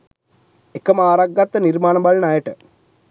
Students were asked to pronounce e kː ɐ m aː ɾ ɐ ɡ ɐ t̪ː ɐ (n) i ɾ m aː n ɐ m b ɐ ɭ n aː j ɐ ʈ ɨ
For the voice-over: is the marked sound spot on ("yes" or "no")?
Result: yes